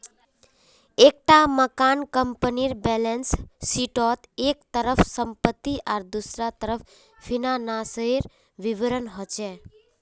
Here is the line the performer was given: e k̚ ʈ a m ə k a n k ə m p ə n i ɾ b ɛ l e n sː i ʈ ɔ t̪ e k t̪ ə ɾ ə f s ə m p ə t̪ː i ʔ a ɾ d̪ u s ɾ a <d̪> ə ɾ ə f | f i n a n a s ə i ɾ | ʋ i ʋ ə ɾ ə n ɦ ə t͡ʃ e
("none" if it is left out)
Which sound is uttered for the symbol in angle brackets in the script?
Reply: t̪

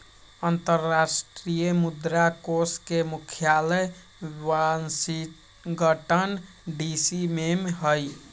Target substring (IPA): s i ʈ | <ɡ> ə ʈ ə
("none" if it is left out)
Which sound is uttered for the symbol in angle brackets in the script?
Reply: ɡ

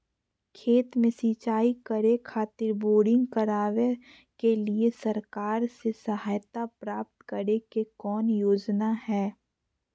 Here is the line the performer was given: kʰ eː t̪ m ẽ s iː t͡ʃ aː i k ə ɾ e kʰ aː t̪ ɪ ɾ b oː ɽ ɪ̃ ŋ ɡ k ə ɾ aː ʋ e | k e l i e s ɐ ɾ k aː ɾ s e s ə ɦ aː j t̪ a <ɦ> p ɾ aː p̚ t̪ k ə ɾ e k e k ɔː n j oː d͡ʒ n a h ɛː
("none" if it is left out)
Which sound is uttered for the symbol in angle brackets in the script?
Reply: none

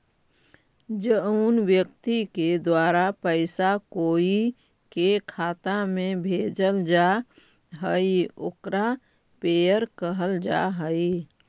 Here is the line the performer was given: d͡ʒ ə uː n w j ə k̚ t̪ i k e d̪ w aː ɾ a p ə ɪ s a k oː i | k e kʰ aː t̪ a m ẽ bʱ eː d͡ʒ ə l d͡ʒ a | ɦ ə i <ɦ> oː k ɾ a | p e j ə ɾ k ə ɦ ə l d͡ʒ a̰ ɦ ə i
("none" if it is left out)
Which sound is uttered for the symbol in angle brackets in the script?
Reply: none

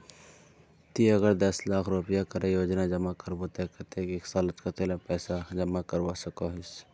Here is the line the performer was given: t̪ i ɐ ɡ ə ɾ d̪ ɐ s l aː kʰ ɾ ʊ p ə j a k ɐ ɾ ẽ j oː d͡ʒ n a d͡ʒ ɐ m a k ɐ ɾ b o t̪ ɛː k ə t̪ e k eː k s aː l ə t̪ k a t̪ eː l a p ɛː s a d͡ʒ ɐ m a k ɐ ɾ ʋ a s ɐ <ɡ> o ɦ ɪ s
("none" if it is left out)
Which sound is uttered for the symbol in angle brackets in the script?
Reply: k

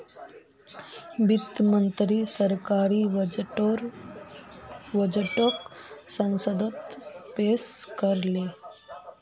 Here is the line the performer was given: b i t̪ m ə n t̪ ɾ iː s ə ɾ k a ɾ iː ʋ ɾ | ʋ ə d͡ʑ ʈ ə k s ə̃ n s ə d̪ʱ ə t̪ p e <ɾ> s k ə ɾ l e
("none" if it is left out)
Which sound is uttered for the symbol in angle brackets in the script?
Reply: none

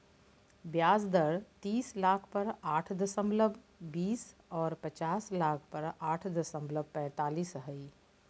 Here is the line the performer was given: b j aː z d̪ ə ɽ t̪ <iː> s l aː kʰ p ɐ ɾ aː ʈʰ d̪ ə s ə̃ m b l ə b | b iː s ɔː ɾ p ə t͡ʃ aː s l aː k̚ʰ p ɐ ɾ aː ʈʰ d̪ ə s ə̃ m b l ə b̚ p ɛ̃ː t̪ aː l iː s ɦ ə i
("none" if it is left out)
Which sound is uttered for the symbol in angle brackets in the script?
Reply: iː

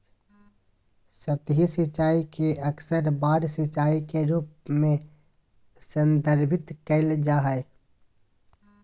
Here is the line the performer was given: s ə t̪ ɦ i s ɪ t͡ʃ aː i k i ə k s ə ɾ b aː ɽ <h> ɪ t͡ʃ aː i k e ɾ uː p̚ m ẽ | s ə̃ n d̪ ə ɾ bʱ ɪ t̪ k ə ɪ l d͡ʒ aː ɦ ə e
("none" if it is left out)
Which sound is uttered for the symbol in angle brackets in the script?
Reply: s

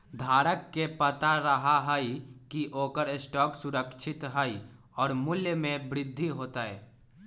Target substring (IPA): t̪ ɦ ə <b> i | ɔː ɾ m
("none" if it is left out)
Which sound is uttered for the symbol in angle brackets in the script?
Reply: none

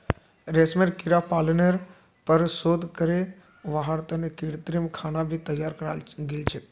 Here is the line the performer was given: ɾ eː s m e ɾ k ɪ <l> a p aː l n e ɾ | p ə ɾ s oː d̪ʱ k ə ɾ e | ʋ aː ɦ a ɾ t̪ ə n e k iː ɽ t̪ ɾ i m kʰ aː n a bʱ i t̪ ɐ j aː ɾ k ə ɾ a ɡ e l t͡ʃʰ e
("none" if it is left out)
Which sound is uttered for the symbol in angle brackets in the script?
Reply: ɾ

